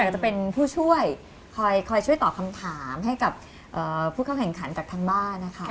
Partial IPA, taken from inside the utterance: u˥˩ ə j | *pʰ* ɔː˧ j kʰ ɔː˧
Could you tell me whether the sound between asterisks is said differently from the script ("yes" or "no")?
yes